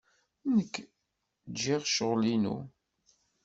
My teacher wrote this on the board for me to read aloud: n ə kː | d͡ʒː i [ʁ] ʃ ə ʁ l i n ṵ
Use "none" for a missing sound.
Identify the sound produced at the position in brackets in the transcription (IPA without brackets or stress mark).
ʁ